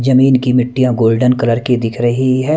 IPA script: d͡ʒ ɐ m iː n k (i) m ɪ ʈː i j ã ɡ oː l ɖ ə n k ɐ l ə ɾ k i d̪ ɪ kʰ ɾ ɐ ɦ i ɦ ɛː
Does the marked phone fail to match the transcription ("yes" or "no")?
no